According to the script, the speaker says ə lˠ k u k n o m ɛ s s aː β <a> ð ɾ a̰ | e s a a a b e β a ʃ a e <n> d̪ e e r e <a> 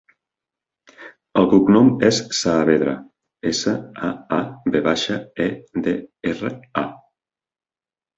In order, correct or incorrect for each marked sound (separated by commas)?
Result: incorrect, incorrect, correct